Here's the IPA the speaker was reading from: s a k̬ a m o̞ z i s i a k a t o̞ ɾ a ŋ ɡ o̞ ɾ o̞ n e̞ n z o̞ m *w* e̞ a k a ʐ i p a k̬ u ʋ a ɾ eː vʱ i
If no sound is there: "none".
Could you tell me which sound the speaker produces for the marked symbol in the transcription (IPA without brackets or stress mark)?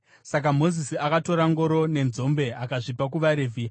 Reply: b